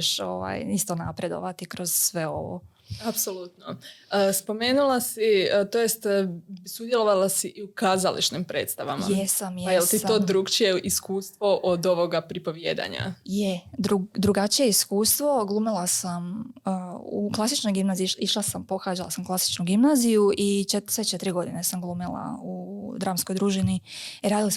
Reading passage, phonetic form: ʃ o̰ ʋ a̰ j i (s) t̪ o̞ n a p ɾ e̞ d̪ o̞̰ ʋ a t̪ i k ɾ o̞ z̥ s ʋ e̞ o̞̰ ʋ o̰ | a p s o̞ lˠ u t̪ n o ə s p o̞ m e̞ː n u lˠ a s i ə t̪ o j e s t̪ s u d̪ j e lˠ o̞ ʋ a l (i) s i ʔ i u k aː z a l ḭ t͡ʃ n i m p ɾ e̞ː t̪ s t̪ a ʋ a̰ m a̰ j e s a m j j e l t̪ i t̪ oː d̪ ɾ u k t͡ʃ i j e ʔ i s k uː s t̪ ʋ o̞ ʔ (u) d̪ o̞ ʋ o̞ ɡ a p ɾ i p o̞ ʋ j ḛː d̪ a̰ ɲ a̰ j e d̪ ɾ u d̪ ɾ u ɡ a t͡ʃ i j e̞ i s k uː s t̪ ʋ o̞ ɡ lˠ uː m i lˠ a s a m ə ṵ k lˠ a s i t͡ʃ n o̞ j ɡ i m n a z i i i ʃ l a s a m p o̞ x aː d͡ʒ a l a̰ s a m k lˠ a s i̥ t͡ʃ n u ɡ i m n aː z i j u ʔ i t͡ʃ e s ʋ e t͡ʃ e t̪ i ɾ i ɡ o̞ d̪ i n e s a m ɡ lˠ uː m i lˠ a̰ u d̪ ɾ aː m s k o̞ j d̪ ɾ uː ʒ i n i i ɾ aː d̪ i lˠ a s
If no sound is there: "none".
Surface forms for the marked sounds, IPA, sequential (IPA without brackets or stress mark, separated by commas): s, a, o